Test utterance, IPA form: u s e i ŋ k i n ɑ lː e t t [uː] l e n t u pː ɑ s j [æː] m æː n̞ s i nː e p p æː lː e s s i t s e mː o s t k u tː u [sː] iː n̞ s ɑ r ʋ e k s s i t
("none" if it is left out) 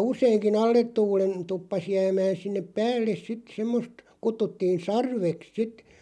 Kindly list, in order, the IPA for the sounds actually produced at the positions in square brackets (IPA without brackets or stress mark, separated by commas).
uː, æː, tː